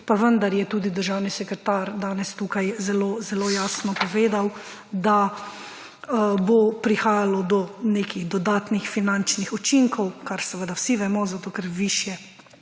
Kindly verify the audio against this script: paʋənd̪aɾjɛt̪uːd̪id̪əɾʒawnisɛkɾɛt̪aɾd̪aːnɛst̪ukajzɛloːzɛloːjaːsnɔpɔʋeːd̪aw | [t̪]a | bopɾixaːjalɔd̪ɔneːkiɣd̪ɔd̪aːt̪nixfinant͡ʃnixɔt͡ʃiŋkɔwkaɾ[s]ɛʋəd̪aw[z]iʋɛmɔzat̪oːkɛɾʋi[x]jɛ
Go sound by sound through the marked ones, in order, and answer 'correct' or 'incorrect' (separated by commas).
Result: incorrect, correct, incorrect, incorrect